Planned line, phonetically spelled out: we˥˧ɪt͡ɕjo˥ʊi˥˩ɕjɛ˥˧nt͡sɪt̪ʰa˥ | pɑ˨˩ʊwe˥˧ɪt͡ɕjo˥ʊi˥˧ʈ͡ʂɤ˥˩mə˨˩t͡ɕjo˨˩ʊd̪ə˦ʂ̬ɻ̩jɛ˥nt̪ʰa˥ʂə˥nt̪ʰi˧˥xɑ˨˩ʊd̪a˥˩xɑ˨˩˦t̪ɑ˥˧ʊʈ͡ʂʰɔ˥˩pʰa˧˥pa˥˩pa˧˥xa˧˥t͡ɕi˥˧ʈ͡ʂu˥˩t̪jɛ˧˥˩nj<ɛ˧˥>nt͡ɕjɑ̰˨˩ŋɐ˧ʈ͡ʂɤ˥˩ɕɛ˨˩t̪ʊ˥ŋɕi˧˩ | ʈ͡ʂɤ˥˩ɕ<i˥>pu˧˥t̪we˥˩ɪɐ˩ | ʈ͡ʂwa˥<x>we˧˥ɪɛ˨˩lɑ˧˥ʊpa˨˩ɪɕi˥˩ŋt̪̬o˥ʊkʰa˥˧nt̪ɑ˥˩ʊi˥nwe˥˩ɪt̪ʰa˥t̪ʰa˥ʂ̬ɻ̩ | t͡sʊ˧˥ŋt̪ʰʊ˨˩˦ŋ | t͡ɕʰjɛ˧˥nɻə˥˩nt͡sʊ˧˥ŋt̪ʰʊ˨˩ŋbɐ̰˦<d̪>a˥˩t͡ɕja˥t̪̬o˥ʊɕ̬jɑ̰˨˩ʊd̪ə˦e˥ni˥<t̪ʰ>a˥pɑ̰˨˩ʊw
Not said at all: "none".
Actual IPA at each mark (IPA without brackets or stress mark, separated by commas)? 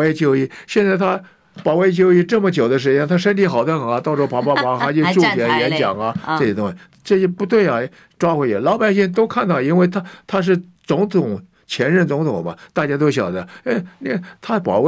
ɛ˧˥, ɛ˥, x, t̪, t̪ʰ